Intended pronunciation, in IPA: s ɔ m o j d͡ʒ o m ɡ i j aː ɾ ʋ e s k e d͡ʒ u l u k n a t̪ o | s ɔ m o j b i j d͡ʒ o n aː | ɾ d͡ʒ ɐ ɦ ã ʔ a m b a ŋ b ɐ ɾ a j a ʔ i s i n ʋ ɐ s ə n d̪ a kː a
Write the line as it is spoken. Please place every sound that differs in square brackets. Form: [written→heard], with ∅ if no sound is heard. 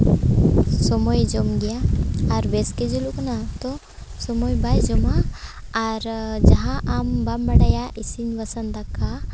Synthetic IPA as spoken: s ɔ m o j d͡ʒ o m ɡ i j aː ɾ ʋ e s k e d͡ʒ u l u k n a t̪ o | s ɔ m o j b [i→a] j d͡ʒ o [n→m] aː | ɾ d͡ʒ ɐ ɦ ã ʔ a m b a [ŋ→m] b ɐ [ɾ→ɽ] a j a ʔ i s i n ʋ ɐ s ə n d̪ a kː a